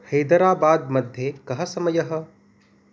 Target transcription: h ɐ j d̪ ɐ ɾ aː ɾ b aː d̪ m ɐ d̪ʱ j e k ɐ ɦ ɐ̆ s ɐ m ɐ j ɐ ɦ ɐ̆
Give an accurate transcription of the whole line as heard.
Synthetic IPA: h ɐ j d̪ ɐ ɾ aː b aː d̪ m ɐ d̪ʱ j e k ɐ ɦ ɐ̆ s ɐ m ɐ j ɐ ɦ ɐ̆